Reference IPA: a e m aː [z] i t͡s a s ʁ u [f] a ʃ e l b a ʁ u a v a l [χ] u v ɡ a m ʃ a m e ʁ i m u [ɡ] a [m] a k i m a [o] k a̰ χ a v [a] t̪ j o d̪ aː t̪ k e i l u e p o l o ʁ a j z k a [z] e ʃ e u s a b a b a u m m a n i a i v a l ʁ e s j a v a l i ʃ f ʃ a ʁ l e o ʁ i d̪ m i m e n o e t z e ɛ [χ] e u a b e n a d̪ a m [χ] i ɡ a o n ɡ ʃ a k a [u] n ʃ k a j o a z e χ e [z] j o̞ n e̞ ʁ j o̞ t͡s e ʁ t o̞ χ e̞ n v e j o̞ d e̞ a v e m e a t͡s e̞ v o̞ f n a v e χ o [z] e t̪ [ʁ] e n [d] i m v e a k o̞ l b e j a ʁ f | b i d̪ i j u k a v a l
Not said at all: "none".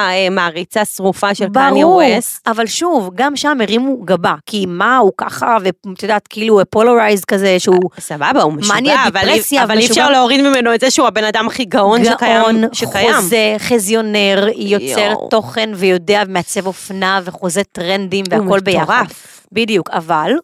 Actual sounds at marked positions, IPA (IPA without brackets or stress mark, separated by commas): ʁ, f, ʃ, ɡ, b, u, e, z, ʃ, χ, o, z, z, ʁ, d